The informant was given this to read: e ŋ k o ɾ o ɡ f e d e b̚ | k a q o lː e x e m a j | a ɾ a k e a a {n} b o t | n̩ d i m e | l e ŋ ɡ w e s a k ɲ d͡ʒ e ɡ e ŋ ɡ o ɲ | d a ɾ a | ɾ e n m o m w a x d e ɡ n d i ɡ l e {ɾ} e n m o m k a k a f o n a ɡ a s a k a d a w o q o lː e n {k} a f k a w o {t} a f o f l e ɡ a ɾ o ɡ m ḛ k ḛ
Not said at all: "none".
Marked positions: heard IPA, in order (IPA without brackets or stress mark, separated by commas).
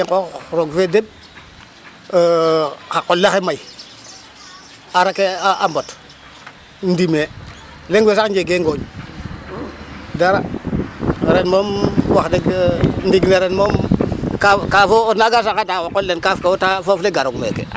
m, ɾ, k, t